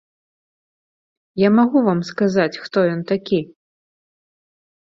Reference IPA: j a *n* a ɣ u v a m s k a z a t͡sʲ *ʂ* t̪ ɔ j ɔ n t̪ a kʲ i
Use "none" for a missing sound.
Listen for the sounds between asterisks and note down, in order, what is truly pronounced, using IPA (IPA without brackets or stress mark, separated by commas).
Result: m, x